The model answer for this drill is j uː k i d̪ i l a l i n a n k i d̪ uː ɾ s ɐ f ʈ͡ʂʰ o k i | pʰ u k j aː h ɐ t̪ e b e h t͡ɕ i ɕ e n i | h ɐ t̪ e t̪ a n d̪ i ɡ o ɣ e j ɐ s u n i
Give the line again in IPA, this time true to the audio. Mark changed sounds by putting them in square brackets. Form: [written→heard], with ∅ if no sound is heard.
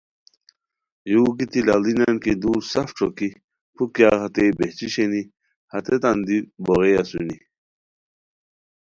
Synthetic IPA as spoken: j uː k i [d̪→t̪] i l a l i n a n k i d̪ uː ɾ s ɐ f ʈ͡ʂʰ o k i | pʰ u k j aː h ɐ t̪ e b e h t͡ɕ i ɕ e n i | h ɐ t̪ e t̪ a n d̪ i [ɡ→b] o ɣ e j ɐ s u n i